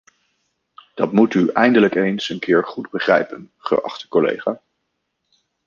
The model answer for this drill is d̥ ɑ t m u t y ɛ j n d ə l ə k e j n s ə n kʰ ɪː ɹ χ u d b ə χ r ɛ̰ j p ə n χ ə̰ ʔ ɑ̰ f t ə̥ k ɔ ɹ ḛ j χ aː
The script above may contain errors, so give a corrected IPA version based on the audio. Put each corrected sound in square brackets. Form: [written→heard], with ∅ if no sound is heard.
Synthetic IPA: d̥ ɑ t m u t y ɛ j n d ə l ə k e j n s ə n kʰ ɪː ɹ χ u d b ə χ r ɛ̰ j p ə n χ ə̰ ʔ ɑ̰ [f→χ] t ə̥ k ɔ [ɹ→l] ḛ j χ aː